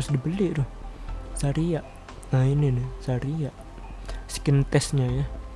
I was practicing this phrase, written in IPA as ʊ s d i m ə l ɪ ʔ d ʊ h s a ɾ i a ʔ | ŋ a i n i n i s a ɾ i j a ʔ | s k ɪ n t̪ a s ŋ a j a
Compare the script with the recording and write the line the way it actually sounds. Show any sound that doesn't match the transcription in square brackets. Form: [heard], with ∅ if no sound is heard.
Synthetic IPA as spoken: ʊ s d i [b] ə l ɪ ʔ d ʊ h s a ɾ i a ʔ | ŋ a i n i n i s a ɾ i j a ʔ | s k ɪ n t̪ [ɛ] s [ɲ] a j a